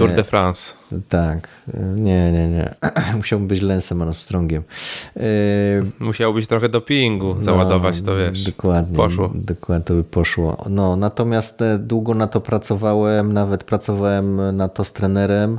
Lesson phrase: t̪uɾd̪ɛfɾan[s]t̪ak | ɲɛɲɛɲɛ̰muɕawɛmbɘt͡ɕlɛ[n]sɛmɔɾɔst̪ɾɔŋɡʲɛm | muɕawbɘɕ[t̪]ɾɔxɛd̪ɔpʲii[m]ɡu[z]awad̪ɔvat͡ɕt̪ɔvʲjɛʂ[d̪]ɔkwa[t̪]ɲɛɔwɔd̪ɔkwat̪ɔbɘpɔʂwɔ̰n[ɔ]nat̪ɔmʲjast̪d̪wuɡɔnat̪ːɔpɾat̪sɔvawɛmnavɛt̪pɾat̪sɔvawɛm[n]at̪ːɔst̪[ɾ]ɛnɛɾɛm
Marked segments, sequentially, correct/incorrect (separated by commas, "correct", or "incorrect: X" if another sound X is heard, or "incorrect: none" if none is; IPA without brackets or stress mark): correct, correct, correct, incorrect: ŋ, correct, correct, incorrect: d̪, correct, correct, correct